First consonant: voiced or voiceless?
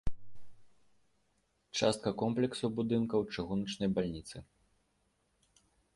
voiceless